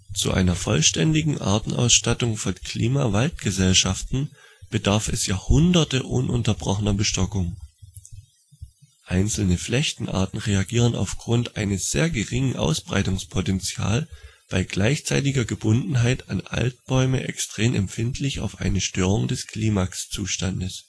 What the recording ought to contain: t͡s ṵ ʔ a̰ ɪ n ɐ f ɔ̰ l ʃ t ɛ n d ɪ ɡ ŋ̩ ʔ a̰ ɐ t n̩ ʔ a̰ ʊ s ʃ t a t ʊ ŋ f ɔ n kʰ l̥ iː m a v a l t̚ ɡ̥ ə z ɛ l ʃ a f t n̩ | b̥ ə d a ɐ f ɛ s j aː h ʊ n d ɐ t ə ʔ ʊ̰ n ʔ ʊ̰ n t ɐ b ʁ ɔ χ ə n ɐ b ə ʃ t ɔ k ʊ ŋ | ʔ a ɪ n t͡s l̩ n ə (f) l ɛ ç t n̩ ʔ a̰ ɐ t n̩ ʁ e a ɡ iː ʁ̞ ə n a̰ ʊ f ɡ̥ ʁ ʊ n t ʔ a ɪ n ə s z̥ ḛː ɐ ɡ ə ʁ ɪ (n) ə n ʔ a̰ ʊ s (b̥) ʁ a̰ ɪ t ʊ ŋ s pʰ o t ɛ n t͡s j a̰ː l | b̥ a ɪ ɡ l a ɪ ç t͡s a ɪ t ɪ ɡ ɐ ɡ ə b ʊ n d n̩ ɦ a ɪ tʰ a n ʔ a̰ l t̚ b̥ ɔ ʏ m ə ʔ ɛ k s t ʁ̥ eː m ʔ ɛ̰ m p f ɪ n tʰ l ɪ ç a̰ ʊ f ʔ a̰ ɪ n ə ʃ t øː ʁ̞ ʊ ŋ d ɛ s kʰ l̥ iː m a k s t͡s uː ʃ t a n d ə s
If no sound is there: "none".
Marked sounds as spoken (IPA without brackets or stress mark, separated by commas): f, ŋ, b̥